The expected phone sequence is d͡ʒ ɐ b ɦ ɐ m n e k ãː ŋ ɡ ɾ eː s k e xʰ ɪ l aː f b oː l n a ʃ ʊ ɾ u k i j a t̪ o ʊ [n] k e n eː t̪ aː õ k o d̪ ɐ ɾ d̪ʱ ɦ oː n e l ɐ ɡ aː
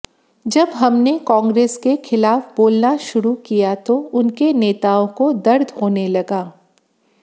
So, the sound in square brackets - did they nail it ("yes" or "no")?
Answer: yes